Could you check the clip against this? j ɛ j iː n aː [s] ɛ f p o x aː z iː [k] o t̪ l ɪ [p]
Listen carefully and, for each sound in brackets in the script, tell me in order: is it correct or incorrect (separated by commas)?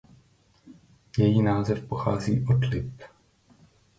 incorrect, incorrect, correct